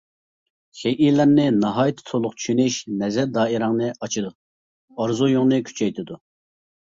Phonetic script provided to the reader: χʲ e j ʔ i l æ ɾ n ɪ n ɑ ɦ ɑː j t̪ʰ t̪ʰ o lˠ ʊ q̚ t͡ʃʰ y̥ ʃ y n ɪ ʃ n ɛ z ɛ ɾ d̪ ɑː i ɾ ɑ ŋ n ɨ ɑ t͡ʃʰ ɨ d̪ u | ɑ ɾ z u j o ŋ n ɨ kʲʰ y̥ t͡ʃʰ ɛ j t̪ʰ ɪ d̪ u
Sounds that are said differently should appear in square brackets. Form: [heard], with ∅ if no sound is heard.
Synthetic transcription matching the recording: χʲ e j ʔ i l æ ɾ n ɪ n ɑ ɦ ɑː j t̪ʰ t̪ʰ o lˠ ʊ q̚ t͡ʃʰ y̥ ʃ y n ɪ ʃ n ɛ z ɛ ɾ d̪ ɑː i ɾ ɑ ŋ n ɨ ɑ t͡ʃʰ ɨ d̪ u | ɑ ɾ z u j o ŋ n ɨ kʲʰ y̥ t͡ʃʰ ɛ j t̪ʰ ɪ d̪ u